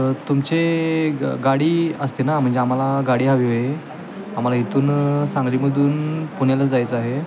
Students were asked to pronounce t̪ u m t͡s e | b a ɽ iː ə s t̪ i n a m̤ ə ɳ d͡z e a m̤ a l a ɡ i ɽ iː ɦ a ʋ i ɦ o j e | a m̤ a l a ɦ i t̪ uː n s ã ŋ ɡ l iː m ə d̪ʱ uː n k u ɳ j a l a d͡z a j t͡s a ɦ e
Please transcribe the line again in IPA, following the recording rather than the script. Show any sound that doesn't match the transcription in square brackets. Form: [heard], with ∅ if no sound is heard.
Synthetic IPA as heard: t̪ u m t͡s e | [ɡ] a ɽ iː ə s t̪ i n a m̤ ə ɳ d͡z e a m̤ a l a ɡ [a] ɽ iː ɦ a ʋ i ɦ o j e | a m̤ a l a ɦ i t̪ uː n s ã ŋ ɡ l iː m ə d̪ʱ uː n [p] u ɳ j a l a d͡z a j t͡s a ɦ e